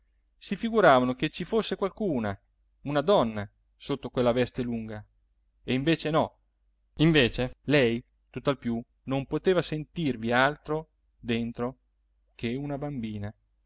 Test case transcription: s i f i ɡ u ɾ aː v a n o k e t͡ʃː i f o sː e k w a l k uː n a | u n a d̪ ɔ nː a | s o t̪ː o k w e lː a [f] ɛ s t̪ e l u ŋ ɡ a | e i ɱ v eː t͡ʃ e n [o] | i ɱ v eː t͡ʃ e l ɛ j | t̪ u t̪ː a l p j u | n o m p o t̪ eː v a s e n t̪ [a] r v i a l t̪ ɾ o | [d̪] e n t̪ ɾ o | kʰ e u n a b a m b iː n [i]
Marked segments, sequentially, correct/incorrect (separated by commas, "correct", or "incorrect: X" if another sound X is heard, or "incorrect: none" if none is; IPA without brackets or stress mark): incorrect: v, incorrect: ɔ, incorrect: i, correct, incorrect: a